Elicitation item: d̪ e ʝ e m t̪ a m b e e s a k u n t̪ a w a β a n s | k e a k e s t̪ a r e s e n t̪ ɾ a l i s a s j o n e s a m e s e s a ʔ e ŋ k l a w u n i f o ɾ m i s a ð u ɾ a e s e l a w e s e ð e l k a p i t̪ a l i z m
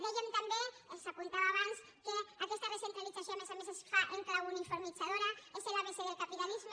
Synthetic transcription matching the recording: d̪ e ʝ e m t̪ a m b e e s a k u n t̪ a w a β a n s | k e a k e s t̪ a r e s e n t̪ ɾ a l i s a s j o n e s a m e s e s a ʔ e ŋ k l a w u n i f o ɾ m i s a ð o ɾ a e s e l a β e s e ð e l k a p i t̪ a l i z m